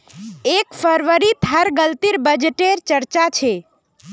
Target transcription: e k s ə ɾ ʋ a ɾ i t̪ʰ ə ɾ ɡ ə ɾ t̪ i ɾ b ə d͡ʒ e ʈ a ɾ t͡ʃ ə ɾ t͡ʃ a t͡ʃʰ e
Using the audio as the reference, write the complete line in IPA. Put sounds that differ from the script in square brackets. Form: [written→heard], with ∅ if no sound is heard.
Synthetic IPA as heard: e k [s→f] ə ɾ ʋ [a→ə] ɾ i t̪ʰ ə ɾ ɡ ə [ɾ→l] t̪ i ɾ b ə d͡ʒ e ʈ [a→e] ɾ t͡ʃ ə ɾ t͡ʃ a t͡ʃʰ e